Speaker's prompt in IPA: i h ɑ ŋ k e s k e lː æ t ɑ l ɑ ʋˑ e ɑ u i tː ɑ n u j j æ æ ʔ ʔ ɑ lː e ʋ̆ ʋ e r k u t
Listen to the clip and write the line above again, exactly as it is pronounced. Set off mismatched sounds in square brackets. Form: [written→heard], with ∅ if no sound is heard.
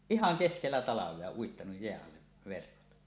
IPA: i h ɑ ŋ k e s k e lː æ t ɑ l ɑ ʋˑ e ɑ u i tː ɑ n u j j [æ→e] æ ʔ ʔ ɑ lː e ʋ̆ ʋ e r k [u→o] t